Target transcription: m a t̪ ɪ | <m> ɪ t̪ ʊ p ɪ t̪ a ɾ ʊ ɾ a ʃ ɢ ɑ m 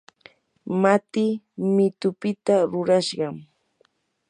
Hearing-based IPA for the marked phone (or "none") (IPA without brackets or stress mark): m